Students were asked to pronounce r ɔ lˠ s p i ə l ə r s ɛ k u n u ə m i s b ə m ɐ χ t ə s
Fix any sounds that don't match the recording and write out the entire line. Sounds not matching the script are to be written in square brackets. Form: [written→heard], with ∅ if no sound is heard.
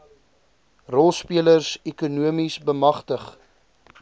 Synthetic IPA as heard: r ɔ lˠ s p i ə l ə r s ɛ k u n u ə m i s b ə m ɐ χ t ə [s→χ]